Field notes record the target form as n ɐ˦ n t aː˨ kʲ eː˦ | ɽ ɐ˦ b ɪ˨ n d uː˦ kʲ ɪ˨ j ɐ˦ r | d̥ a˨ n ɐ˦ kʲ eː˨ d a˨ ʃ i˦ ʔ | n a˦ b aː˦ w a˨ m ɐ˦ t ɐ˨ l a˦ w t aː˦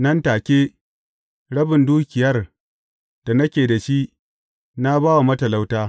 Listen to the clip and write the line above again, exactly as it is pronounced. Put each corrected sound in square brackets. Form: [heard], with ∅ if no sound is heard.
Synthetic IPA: n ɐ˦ n t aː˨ kʲ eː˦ | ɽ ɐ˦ b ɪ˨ n d uː˦ kʲ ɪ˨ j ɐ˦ r | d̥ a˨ n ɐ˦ kʲ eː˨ d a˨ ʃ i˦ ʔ | n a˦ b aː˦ w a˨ m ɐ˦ t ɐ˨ l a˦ w t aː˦